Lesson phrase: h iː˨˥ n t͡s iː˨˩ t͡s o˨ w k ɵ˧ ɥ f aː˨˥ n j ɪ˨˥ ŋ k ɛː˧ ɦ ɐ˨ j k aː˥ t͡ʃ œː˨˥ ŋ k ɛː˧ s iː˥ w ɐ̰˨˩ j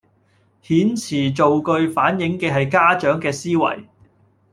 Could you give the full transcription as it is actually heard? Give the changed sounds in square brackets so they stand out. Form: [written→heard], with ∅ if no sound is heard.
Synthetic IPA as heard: h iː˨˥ n [t͡s→t͡sʰ] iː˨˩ t͡s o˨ w k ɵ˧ ɥ f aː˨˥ n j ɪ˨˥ ŋ k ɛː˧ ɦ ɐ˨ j k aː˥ t͡ʃ œː˨˥ ŋ k ɛː˧ s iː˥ w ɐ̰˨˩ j